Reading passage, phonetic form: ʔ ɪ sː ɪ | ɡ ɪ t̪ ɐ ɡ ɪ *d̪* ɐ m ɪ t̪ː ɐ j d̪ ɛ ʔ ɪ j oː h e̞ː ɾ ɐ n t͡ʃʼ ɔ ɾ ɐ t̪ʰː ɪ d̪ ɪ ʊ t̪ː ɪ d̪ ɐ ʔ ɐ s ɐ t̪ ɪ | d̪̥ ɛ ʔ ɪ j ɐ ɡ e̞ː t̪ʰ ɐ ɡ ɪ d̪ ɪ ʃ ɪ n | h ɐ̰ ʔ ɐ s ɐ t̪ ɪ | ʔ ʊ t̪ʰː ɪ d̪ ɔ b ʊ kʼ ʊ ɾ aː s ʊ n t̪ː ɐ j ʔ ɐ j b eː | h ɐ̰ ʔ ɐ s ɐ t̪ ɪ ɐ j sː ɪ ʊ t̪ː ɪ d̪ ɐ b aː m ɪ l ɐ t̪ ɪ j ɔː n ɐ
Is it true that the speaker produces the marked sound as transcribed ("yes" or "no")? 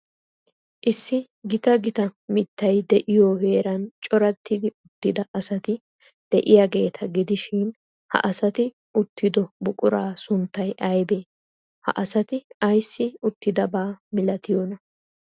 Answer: no